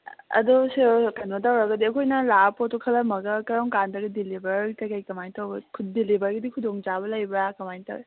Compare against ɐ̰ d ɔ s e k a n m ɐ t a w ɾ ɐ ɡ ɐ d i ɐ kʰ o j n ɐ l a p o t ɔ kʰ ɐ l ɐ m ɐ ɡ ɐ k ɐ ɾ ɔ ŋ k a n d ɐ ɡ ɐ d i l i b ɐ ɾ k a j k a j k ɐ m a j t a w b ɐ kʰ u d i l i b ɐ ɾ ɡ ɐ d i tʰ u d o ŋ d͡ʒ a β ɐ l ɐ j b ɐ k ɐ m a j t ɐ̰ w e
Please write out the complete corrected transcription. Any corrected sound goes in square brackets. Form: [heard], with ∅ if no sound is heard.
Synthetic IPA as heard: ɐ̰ d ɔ s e k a n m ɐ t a w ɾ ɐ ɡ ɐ d i ɐ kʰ o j n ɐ l a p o t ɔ kʰ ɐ l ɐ m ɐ ɡ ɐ k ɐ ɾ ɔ ŋ k a n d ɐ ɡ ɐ d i l i b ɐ ɾ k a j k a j k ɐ m a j t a w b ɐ kʰ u d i l i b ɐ ɾ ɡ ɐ d i [kʰ] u d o ŋ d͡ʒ a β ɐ l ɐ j b [a] k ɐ m a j t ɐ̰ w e